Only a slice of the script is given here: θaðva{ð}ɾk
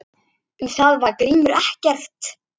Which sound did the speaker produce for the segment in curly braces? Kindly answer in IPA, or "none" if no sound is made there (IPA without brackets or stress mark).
none